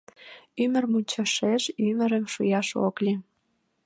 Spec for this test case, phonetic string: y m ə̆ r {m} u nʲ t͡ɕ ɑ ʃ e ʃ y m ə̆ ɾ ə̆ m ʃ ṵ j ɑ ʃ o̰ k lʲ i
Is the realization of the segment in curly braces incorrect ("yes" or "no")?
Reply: no